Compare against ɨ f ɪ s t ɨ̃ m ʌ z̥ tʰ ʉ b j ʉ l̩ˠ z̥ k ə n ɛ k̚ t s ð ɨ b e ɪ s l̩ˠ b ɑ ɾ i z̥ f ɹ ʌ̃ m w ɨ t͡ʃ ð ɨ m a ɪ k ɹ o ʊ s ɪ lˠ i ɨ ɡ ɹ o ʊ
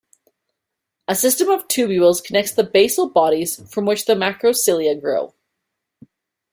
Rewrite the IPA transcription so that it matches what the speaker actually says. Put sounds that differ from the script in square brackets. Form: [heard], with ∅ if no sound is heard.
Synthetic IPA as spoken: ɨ [s] ɪ s t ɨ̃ m ʌ [v̥] tʰ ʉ b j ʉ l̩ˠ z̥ [kʰ] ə n ɛ k̚ t s ð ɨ b e ɪ s l̩ˠ b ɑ ɾ i z̥ f ɹ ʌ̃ m w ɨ t͡ʃ ð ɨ m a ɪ k ɹ o ʊ s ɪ lˠ i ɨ ɡ ɹ o ʊ